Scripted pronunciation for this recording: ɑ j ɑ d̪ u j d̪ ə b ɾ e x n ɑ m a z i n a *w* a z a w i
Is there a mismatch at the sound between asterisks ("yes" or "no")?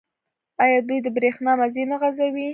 yes